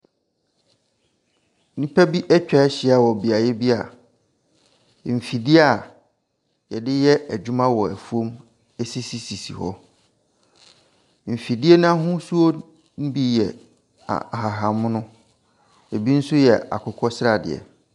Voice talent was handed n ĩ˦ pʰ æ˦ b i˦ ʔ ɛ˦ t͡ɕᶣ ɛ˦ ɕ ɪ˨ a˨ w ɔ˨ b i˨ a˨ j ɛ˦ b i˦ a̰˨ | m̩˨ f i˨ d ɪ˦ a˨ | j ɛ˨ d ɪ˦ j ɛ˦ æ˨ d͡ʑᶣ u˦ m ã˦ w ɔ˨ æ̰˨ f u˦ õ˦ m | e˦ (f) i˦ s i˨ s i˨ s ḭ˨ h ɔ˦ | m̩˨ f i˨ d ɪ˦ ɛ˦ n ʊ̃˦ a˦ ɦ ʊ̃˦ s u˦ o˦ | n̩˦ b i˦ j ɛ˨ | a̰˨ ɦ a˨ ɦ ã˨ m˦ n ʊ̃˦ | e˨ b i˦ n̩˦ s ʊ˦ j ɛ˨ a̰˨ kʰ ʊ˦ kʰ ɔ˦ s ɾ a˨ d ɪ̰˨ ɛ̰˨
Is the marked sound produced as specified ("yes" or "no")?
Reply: no